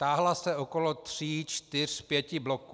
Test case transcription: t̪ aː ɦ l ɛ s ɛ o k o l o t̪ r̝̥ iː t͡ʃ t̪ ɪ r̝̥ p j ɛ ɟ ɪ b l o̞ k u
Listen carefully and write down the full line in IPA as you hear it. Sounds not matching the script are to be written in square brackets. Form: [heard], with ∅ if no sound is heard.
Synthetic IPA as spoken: t̪ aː ɦ l [a] s ɛ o k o l o t̪ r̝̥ iː t͡ʃ t̪ ɪ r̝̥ p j ɛ [c] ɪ b l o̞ k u